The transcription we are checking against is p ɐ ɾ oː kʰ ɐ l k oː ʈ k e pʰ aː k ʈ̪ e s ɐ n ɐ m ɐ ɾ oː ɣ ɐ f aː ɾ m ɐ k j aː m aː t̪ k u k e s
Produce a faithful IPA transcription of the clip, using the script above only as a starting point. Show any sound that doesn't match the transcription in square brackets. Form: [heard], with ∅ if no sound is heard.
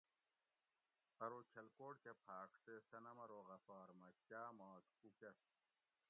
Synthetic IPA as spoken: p ɐ ɾ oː kʰ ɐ l k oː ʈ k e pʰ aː k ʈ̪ e s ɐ n ɐ m ɐ ɾ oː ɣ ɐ f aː ɾ m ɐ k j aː m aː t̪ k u k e s